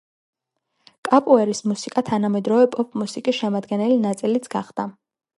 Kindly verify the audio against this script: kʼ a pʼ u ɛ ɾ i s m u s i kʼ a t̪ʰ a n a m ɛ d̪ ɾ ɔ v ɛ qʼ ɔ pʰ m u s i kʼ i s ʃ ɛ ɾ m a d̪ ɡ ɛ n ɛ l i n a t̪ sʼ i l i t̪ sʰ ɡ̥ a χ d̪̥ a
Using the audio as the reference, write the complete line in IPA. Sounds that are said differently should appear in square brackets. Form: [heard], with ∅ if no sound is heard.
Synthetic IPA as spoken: kʼ a pʼ u ɛ ɾ i s m u s i kʼ a t̪ʰ a n a m ɛ d̪ ɾ ɔ v ɛ [pʼ] ɔ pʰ m u s i kʼ i s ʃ ɛ [∅] m a d̪ ɡ ɛ n ɛ l i n a t̪ sʼ i l i t̪ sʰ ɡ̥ a χ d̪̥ a